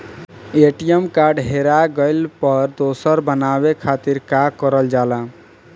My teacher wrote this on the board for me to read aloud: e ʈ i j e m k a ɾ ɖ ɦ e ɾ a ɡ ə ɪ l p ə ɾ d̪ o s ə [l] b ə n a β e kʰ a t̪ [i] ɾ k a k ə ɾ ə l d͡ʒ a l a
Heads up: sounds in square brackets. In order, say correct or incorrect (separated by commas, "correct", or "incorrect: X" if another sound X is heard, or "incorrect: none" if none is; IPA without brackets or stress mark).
incorrect: ɾ, correct